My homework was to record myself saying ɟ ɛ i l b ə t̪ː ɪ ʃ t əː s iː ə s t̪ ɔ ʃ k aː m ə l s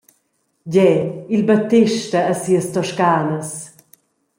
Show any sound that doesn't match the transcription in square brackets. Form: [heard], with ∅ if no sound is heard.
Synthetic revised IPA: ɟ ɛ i l b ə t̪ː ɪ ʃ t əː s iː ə s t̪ ɔ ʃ k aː [n] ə [∅] s